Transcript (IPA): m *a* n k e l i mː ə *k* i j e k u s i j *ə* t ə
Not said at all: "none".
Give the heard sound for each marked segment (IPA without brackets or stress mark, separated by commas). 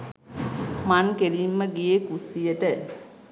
a, ɡ, ə